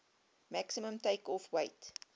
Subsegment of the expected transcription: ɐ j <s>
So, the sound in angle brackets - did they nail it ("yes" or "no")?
no